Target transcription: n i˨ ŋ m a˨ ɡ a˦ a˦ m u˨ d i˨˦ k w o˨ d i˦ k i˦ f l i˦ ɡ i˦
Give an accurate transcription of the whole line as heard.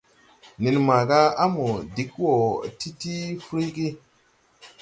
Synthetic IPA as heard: n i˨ n m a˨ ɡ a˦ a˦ m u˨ d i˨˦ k w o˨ t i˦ t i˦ f ɾ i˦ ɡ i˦